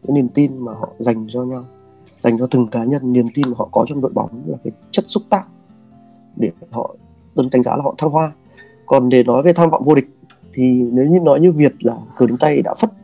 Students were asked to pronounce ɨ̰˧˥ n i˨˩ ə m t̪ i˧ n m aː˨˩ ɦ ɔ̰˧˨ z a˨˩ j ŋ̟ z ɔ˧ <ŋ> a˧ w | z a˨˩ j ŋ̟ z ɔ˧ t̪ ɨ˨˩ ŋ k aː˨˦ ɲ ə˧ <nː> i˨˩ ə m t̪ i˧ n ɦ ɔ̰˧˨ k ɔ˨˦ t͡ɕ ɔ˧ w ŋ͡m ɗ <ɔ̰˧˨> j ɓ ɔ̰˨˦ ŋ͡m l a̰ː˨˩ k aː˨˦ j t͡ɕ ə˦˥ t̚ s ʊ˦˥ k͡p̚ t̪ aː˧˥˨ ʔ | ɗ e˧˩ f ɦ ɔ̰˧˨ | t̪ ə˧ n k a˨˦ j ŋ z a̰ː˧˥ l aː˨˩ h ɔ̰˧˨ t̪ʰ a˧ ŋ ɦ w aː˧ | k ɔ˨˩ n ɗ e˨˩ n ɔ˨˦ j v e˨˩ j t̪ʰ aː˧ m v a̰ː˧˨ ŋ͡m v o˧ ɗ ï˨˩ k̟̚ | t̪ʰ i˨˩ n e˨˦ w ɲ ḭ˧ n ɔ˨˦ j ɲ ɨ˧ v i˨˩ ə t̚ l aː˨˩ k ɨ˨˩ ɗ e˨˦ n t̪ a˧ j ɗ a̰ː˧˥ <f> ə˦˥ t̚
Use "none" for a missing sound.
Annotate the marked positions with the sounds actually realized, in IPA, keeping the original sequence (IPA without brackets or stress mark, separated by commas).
ɲ, nː, o̰˧˨, f